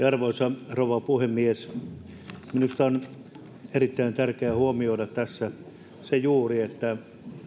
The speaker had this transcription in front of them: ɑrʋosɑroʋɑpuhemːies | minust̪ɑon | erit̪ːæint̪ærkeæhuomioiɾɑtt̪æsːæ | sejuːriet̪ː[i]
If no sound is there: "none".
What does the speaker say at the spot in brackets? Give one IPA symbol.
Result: æ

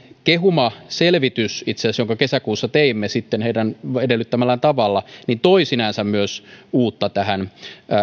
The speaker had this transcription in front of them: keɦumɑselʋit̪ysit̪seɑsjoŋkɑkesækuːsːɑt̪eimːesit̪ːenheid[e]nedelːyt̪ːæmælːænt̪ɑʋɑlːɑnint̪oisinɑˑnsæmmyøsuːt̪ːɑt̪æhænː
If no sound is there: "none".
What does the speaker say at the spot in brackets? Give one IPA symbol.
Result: æ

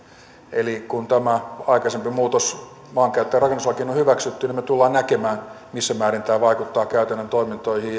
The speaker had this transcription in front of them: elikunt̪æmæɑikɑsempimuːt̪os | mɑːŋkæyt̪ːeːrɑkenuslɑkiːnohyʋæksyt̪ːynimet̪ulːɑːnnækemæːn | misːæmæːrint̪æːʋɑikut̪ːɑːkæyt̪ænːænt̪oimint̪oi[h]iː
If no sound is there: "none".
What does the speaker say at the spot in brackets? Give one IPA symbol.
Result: h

